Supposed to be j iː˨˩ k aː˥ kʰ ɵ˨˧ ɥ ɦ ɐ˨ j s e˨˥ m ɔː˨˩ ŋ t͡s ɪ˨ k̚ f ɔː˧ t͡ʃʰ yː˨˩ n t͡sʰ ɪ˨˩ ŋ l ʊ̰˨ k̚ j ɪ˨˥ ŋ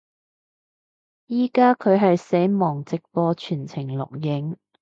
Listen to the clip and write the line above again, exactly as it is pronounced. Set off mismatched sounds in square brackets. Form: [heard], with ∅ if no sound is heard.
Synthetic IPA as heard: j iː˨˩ k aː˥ kʰ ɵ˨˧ ɥ ɦ ɐ˨ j s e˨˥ m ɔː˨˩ ŋ t͡s ɪ˨ k̚ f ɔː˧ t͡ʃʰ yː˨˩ n t͡sʰ ɪ˨˩ ŋ l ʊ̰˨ k̚ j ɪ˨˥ ŋ